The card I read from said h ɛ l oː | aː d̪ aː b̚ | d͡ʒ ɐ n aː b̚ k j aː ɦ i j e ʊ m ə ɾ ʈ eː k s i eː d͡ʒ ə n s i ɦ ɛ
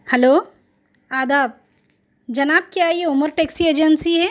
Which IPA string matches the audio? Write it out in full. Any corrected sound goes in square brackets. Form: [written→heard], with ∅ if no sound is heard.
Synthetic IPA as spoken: h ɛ l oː | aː d̪ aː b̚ | d͡ʒ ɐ n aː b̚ k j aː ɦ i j e ʊ m ə ɾ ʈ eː k s i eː d͡ʒ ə n s i ɦ ɛ